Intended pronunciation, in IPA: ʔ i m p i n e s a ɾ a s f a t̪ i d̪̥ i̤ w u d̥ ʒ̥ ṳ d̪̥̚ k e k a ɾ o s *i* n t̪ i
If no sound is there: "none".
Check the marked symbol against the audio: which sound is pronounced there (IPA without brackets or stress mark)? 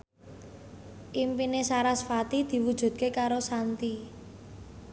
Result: a